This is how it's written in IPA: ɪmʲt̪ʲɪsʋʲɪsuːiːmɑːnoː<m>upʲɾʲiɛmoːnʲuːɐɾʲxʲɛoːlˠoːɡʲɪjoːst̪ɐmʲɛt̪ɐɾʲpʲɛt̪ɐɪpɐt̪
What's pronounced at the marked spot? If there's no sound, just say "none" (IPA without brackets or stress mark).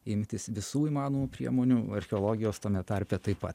m